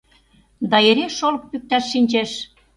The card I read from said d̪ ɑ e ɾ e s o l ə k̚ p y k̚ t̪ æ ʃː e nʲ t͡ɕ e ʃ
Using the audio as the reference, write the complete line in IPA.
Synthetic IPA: d̪ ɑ e ɾ e ʃ o l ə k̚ p y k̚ t̪ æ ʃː i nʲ t͡ɕ e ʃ